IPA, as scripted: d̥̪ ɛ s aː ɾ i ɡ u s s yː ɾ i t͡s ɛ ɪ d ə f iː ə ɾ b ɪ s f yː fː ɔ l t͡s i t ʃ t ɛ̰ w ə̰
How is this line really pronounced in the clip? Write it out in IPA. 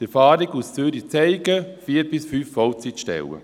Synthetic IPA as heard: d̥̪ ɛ f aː ɾ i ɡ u s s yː ɾ i t͡s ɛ ɪ ɡ ə f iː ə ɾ b ɪ s f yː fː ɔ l t͡s i t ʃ t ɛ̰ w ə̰